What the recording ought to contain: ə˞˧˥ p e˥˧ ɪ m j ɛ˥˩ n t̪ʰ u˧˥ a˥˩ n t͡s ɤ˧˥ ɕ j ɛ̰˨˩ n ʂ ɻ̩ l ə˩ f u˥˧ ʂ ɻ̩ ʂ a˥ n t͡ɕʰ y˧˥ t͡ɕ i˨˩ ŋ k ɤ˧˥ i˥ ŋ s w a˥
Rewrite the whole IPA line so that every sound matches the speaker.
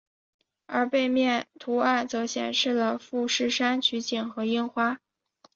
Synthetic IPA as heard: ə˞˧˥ p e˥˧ ɪ m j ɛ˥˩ n t̪ʰ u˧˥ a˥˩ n t͡s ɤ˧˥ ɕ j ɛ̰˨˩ n ʂ ɻ̩ l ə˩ f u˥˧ ʂ ɻ̩ ʂ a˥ n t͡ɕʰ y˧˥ t͡ɕ i˨˩ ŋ x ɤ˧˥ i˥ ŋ x w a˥